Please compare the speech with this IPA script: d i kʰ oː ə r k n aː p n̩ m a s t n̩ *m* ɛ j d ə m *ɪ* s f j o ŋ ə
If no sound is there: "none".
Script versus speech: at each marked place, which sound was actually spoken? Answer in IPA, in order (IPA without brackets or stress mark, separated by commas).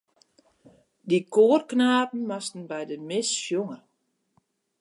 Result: b, ɪ